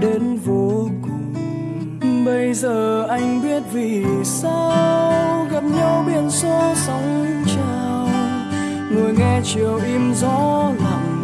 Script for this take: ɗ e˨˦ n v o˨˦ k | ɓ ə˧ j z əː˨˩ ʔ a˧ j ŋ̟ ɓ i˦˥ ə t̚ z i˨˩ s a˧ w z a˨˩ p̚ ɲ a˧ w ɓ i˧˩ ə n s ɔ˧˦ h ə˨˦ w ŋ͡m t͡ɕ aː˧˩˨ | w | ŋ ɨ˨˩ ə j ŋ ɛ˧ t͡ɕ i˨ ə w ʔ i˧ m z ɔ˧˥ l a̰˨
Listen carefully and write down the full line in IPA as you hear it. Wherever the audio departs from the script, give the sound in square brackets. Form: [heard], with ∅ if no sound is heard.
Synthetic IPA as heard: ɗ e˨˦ n v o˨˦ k | ɓ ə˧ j z əː˨˩ ʔ a˧ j ŋ̟ ɓ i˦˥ ə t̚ [v] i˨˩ s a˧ w [ɣ] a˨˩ p̚ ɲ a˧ w ɓ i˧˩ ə n s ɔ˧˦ [s] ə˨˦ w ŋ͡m t͡ɕ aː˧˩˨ | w | ŋ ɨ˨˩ ə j ŋ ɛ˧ t͡ɕ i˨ ə w ʔ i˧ m z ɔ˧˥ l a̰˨